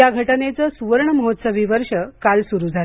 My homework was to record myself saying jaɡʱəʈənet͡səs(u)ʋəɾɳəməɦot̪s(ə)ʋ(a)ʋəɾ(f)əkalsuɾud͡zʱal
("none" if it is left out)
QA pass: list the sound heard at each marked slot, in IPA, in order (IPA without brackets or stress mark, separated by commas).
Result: u, ə, i, ʂ